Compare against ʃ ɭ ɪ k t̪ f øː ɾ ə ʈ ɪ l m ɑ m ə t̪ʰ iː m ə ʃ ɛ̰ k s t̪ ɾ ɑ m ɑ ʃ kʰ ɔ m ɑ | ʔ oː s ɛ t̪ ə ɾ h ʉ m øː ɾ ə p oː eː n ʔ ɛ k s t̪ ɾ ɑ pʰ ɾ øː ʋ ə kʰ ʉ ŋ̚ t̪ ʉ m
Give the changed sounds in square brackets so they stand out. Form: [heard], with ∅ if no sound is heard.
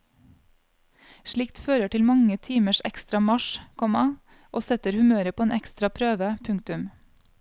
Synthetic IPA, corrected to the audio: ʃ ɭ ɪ k t̪ f øː ɾ ə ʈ ɪ l m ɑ [ŋ] ə t̪ʰ iː m ə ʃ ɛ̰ k s t̪ ɾ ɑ m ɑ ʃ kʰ ɔ m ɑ | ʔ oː s ɛ t̪ ə ɾ h ʉ m øː ɾ ə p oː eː n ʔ ɛ k s t̪ ɾ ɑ pʰ ɾ øː ʋ ə [pʰ] ʉ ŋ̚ t̪ ʉ m